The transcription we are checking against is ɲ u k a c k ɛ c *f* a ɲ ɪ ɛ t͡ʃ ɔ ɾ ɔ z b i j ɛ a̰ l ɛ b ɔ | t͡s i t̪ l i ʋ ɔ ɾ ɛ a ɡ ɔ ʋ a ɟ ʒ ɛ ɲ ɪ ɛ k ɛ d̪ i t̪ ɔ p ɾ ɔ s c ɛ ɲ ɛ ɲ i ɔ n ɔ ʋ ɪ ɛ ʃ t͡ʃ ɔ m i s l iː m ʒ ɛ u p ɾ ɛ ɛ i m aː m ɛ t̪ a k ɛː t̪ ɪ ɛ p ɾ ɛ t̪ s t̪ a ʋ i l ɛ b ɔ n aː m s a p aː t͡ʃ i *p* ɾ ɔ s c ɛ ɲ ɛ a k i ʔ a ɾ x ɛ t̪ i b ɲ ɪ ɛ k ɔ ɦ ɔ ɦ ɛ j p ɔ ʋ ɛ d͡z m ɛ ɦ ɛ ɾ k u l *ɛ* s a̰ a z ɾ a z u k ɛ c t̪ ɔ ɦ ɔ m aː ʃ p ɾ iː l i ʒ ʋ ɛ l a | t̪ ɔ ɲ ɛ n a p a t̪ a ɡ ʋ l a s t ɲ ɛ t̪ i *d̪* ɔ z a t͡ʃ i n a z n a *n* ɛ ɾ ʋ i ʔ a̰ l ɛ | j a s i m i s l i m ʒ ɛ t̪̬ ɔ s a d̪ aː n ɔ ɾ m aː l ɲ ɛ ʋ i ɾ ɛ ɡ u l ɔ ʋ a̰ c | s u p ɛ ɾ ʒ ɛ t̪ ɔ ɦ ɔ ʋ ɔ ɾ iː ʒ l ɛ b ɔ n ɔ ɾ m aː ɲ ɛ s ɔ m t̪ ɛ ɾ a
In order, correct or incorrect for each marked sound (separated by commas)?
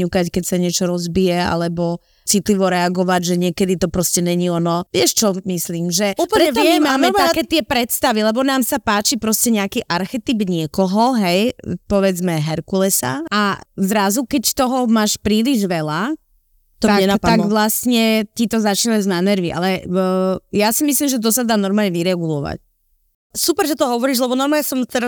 incorrect, correct, correct, incorrect, correct